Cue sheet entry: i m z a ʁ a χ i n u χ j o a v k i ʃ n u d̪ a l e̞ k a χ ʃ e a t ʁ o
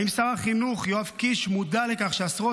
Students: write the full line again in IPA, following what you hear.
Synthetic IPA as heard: i m s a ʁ a χ i n u χ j o a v k i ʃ m u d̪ a l e̞ k a χ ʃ e a s ʁ o